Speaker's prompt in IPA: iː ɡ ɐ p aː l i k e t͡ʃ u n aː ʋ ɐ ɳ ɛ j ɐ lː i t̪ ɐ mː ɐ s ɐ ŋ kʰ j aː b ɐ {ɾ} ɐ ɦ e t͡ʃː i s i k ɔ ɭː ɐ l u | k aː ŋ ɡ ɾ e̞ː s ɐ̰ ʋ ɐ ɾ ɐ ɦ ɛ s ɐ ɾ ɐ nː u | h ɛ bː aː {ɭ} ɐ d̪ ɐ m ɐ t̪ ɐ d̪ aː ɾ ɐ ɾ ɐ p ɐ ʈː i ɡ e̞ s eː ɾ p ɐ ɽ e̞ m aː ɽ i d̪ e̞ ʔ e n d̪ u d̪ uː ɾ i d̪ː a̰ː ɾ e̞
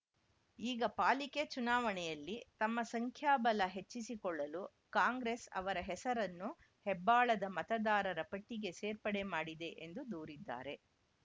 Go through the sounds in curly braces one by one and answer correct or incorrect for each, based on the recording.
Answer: incorrect: l, correct

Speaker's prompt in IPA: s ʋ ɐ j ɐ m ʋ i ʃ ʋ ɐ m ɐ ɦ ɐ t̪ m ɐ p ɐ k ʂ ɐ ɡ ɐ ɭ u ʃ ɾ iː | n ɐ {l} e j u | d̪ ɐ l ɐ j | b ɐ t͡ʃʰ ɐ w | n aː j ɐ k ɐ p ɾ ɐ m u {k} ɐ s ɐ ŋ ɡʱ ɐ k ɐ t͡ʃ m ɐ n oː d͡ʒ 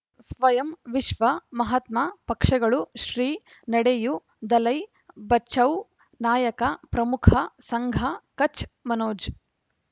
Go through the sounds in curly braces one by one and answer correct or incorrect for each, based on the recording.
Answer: incorrect: ɽ, incorrect: kʰ

